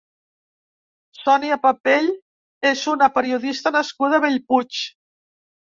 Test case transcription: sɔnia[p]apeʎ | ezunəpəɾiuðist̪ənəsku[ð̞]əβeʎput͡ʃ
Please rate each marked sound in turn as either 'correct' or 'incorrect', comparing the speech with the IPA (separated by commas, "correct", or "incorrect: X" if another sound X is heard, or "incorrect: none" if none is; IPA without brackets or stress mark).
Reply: correct, correct